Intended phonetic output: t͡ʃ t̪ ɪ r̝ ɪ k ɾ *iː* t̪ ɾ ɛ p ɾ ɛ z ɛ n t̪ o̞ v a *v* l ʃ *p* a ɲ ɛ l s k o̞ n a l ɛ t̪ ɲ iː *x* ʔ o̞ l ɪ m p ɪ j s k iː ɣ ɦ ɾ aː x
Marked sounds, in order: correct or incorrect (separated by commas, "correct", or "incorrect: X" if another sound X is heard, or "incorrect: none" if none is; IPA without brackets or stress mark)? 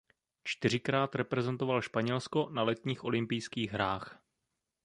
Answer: incorrect: aː, incorrect: none, correct, correct